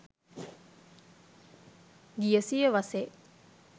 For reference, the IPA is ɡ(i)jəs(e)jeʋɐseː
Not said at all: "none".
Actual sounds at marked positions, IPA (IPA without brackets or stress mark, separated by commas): i, i